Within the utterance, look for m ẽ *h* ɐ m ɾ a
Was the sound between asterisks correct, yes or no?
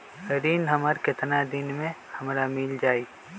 yes